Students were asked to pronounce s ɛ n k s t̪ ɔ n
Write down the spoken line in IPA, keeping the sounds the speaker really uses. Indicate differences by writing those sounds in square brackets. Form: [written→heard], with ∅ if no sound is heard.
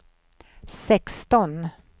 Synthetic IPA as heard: s ɛ [n→∅] k s t̪ ɔ n